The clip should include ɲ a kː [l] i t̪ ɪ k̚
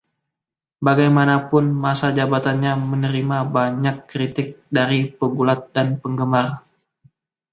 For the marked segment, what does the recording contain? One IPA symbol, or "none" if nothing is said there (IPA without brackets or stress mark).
ɾ